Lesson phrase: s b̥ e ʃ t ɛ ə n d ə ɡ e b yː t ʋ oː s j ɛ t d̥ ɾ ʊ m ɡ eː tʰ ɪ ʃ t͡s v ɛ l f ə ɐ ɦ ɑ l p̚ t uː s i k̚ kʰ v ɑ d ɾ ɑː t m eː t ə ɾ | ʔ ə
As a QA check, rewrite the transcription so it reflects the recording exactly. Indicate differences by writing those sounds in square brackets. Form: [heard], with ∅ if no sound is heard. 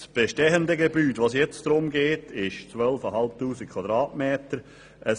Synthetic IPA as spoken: s b̥ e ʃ t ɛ ə n d ə ɡ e b yː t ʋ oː s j ɛ [t͡s] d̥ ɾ ʊ m ɡ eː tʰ ɪ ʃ t͡s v [œ] l f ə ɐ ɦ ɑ l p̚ t uː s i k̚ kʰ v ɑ d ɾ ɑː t m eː t ə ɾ | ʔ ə